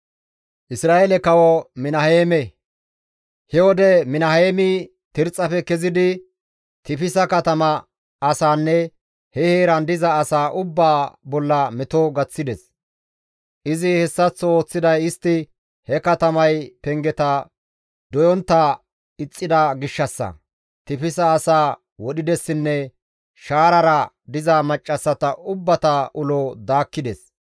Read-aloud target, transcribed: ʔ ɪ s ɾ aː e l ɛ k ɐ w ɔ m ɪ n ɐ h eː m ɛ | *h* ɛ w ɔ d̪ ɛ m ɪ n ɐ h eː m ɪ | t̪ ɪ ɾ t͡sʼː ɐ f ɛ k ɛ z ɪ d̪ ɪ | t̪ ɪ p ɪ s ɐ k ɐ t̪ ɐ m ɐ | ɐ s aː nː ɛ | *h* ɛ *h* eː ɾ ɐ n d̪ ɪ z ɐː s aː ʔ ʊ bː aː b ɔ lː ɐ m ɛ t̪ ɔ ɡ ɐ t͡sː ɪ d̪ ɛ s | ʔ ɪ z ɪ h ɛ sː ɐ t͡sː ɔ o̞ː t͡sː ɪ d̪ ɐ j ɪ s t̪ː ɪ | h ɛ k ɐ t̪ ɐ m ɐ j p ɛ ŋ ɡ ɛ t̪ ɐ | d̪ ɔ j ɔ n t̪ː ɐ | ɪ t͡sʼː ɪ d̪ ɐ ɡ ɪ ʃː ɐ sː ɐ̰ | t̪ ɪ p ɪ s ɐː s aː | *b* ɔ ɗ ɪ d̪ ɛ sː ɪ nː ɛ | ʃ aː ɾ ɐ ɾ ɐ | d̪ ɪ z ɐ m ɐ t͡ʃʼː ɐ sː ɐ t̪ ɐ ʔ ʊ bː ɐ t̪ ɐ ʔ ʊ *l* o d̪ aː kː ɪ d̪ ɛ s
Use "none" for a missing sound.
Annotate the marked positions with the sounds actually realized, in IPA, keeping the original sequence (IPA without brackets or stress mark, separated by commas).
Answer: h, h, h, w, l